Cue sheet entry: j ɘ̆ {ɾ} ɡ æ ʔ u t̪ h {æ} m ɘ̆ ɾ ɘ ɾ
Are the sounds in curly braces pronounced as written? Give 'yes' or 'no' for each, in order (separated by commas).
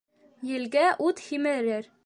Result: no, no